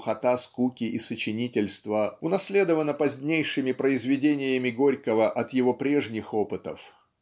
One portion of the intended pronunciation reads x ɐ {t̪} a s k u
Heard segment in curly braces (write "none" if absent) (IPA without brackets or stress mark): t̪